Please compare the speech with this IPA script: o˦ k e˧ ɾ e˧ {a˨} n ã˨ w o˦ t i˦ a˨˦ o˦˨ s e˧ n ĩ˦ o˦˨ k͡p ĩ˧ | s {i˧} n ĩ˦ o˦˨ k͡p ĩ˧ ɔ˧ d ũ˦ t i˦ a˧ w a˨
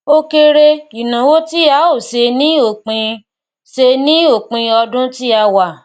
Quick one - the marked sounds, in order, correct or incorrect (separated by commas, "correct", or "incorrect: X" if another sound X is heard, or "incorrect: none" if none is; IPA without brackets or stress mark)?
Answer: incorrect: i˨, incorrect: e˧